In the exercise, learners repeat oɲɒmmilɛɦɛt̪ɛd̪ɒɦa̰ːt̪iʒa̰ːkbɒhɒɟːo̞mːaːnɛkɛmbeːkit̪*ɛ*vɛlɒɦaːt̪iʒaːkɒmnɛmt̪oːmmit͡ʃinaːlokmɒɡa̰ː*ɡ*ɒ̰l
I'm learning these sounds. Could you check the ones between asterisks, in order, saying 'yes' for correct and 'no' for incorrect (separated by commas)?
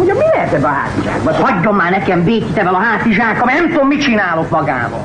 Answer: yes, no